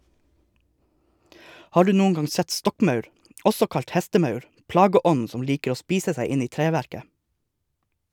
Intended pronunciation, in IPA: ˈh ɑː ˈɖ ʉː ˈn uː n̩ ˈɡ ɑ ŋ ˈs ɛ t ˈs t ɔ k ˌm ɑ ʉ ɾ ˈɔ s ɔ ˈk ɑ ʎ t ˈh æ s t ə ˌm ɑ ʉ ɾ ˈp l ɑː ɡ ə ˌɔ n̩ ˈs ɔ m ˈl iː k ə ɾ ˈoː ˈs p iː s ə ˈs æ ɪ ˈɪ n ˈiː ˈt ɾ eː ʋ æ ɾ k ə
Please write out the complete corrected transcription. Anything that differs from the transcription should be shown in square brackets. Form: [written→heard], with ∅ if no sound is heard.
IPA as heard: ˈh ɑː ˈɖ ʉː ˈn uː n̩ ˈɡ ɑ ŋ ˈs ɛ t ˈs t ɔ k ˌm ɑ ʉ ɾ ˈɔ s ɔ ˈk ɑ ʎ t ˈh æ s t ə ˌm ɑ ʉ ɾ ˈp l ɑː ɡ ə ˌɔ n̩ ˈs ɔ m ˈl iː k ə ɾ ˈoː ˈs p iː s ə ˈs æ ɪ ˈɪ n ˈiː ˈt ɾ eː ʋ æ ɾ k ə